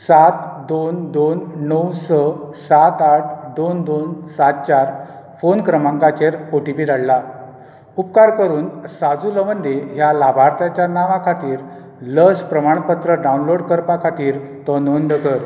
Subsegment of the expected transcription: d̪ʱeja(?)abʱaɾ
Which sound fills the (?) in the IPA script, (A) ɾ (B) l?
B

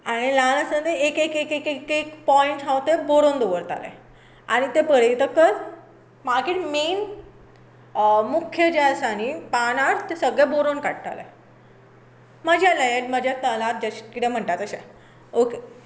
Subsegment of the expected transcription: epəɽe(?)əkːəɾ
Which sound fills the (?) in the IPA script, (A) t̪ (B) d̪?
A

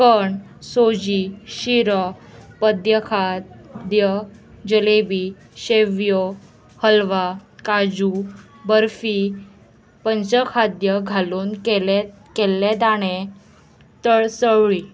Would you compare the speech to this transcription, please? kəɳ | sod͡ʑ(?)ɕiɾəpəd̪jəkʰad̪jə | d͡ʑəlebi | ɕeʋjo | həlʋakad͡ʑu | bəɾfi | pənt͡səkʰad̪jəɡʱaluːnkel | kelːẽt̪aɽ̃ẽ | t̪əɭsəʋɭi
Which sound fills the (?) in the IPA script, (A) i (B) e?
A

